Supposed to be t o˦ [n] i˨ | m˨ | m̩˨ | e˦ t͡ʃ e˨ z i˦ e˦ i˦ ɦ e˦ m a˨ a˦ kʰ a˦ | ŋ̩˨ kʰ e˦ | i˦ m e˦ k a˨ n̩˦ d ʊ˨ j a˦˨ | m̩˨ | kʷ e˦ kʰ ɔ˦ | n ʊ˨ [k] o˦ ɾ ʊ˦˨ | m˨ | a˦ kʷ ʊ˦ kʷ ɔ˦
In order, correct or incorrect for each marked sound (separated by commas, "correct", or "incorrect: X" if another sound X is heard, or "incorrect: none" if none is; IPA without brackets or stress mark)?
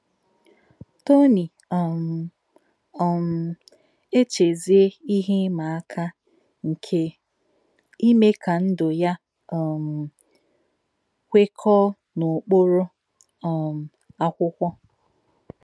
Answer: correct, incorrect: k͡p